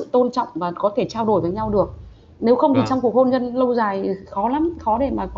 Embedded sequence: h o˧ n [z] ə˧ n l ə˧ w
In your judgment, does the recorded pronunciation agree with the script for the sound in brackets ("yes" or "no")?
yes